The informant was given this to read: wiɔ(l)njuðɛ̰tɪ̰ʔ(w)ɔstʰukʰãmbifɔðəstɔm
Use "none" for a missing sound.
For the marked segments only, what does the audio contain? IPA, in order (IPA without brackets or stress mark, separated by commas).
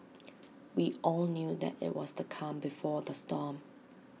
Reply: l, w